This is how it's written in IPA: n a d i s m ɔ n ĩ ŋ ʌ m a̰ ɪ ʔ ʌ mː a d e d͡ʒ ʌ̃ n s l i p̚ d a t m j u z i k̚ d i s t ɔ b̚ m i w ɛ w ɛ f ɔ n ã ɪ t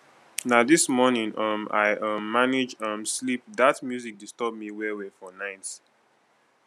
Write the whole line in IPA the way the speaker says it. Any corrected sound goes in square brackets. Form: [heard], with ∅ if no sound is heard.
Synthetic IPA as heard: n a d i s m ɔ n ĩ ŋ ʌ m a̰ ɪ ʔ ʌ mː a [n] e d͡ʒ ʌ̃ [m] s l i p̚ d a t m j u z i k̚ d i s t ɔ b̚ m i w ɛ w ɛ f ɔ n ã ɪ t